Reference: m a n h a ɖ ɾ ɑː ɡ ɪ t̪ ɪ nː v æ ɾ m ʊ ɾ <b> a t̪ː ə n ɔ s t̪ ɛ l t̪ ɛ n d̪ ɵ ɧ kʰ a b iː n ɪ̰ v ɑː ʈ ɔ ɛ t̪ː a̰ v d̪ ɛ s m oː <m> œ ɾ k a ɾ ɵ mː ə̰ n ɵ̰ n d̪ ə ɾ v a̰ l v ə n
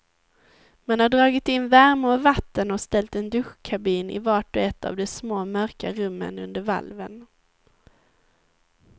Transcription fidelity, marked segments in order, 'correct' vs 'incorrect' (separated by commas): incorrect, correct